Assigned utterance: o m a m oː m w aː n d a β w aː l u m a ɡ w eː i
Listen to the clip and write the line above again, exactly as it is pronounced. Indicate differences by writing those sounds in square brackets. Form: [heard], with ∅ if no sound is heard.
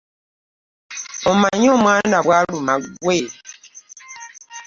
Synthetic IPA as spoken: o m a [ɲ] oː m w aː n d a β w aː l u m a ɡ w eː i